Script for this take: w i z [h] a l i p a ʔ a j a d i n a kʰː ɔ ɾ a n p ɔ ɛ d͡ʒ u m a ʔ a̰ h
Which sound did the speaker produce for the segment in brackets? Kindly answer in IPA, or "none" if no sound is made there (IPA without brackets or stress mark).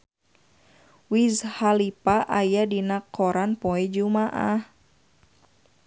h